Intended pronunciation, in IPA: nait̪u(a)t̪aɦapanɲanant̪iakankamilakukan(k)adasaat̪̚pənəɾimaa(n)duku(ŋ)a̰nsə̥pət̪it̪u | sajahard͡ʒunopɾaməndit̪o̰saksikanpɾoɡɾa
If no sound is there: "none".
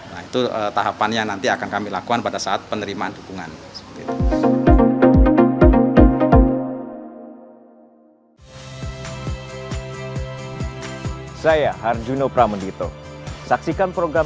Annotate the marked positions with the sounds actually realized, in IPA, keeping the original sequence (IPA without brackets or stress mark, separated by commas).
ə, p, n, ŋ